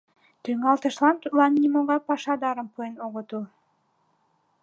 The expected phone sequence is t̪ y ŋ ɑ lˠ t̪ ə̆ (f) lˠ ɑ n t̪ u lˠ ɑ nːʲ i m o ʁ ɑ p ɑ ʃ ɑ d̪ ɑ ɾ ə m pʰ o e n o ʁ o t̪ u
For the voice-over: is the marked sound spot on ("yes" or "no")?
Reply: no